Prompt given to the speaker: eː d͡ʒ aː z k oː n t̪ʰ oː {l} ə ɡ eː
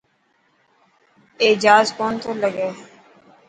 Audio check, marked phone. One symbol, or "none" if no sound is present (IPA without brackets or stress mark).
l